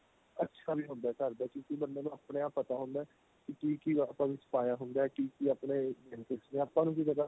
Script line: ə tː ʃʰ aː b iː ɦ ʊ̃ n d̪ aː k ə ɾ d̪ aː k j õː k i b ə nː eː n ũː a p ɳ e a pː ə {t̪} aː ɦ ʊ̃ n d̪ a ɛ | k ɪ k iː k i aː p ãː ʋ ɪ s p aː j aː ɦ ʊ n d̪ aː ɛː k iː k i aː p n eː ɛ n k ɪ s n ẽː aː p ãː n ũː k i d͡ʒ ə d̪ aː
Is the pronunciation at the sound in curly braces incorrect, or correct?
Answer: correct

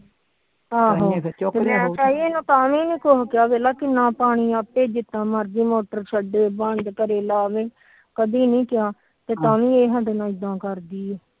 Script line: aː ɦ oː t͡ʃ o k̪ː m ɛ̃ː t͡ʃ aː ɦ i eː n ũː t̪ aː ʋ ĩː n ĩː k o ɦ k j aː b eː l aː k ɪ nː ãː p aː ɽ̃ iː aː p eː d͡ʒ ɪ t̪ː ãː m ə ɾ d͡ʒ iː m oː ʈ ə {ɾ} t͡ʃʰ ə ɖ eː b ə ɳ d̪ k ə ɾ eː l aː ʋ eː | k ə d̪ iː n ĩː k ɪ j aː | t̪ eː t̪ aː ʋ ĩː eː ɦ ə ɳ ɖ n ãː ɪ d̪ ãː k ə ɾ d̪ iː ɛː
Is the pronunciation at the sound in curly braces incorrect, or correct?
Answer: correct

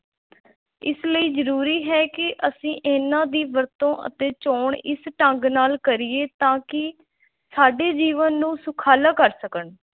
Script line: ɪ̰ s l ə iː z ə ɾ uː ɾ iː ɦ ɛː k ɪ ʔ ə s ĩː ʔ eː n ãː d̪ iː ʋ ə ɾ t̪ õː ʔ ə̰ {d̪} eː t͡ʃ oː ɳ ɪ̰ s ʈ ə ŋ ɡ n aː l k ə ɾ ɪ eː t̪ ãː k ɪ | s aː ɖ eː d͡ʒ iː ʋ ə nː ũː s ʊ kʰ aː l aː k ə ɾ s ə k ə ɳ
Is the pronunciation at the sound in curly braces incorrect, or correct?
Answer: incorrect: t̪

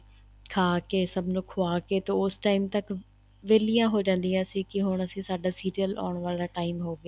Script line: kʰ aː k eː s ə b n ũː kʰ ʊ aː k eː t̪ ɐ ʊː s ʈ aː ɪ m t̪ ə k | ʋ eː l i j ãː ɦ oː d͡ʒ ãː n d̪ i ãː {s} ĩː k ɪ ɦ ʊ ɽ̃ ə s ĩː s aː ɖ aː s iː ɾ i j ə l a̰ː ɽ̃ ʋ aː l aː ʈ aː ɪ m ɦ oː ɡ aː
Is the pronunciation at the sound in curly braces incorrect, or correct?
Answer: correct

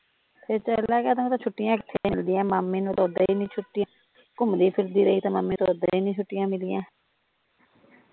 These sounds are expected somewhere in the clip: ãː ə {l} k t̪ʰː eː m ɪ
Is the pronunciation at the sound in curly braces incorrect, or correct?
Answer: incorrect: none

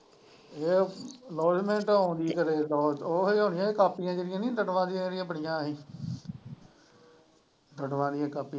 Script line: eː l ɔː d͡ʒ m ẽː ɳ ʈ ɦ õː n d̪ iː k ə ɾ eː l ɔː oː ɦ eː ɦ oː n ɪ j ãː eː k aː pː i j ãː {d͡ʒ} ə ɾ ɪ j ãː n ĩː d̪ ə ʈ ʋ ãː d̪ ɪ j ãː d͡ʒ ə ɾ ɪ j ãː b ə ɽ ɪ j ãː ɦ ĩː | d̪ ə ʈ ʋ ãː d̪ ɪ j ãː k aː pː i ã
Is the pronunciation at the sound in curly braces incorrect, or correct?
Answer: correct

